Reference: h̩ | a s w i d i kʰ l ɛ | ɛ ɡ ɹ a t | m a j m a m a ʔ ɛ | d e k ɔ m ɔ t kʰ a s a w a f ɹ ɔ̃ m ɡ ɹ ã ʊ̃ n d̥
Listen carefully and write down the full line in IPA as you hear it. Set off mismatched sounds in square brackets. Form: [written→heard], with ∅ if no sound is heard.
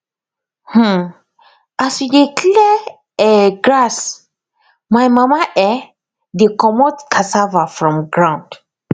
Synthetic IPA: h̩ | a s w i d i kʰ l ɛ | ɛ ɡ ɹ a [t→s] | m a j m a m a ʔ ɛ | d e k ɔ m ɔ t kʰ a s a [w→v] a f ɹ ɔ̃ m ɡ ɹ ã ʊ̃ n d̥